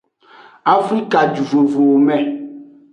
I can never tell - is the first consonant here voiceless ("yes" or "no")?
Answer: yes